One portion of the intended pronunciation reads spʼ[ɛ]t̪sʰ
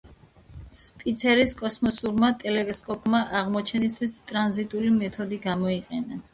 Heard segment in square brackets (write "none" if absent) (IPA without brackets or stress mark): i